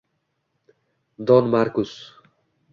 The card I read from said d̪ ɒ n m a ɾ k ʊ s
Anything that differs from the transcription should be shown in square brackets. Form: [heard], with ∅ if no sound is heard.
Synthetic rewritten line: d̪ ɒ n m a ɾ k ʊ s